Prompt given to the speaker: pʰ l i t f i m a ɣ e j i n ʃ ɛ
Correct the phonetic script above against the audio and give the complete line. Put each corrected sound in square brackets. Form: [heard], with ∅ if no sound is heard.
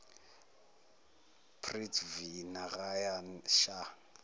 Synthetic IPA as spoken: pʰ [r] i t [v] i [n] a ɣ [a] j [a] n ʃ [a]